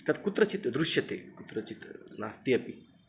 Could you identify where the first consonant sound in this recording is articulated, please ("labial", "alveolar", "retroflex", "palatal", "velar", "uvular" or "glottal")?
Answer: velar